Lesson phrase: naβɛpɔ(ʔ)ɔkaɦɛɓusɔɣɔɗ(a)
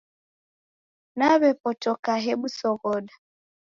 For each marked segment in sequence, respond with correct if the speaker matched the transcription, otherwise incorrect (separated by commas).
incorrect, correct